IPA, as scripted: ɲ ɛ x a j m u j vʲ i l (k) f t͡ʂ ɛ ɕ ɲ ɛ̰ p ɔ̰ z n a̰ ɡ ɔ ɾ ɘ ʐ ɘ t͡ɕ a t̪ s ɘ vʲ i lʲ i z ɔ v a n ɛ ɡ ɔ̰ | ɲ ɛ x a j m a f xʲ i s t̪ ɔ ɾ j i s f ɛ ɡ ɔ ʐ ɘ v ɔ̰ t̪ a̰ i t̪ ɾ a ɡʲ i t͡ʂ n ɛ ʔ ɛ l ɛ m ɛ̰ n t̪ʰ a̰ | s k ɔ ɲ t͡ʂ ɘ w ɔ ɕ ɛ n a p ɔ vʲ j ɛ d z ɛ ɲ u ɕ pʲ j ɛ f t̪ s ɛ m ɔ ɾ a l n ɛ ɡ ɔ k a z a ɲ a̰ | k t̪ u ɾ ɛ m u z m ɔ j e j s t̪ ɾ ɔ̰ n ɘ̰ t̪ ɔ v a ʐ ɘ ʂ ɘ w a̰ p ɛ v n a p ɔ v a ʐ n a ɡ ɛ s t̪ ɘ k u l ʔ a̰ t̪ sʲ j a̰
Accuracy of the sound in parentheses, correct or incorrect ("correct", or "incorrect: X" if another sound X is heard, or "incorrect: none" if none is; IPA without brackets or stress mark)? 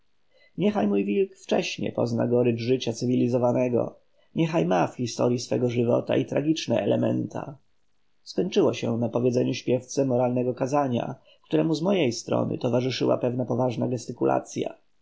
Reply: correct